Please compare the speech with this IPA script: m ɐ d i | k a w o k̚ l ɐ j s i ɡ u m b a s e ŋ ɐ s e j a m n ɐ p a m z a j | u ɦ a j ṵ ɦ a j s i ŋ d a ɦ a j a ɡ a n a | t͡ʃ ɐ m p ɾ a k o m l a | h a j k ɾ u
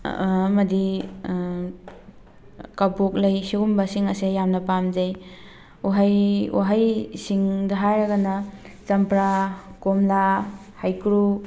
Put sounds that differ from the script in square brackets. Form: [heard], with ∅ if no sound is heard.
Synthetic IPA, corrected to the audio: m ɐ d i | k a [b] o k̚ l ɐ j s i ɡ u m b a s [i] ŋ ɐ s e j a m n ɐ p a m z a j | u ɦ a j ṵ ɦ a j s i ŋ d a ɦ a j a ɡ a n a | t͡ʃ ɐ m p ɾ a k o m l a | h a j k ɾ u